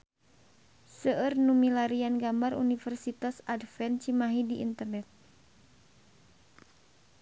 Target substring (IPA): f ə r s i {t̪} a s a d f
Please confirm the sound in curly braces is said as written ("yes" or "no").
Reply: yes